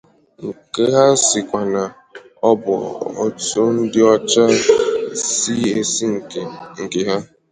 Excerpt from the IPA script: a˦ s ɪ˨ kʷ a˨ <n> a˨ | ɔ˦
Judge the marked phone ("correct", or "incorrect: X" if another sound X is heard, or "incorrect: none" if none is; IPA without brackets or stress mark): correct